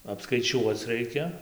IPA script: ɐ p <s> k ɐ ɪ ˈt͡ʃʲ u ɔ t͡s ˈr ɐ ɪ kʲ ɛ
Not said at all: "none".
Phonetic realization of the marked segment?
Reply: s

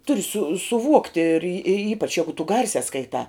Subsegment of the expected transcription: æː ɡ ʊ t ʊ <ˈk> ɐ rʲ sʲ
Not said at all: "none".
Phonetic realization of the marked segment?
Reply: ɡ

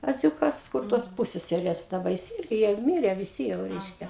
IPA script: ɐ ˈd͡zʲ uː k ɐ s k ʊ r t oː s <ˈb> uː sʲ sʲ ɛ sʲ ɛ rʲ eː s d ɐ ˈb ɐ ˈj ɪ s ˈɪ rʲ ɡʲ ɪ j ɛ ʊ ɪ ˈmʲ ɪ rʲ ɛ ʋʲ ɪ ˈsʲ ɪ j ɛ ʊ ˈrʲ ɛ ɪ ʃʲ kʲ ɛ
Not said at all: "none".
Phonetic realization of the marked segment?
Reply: p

